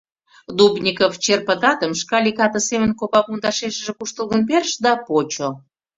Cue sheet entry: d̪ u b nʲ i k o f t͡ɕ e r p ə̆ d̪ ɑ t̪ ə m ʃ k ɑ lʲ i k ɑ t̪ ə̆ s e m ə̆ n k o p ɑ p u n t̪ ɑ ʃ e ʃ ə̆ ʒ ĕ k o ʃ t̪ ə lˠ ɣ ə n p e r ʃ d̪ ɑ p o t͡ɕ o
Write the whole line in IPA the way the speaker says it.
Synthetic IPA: d̪ u b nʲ i k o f t͡ɕ e r p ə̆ t̪ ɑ t̪ ə m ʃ k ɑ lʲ i k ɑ t̪ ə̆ s e m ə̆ n k o p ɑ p u n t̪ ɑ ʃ e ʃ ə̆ ʒ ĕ k u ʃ t̪ ə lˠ ɣ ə n p e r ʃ d̪ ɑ p o t͡ɕ o